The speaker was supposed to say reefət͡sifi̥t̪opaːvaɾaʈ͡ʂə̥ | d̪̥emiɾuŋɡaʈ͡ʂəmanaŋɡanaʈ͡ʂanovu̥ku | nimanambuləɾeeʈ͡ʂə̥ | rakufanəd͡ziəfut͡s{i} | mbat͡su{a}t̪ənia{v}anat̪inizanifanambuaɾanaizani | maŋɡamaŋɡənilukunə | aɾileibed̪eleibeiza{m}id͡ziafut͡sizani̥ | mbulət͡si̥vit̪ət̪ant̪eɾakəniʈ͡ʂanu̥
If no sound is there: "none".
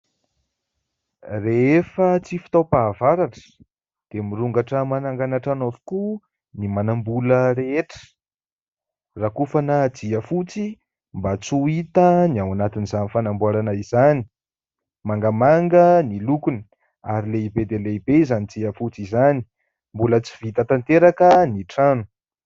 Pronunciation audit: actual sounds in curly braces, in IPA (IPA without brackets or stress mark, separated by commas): i, i, w, n